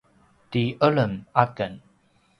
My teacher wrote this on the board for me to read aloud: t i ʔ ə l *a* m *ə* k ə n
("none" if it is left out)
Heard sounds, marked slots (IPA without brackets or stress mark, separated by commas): ə, a